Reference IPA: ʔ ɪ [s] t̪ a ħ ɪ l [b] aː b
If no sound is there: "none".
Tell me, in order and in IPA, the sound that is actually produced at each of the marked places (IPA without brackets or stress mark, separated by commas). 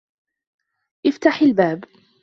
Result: f, b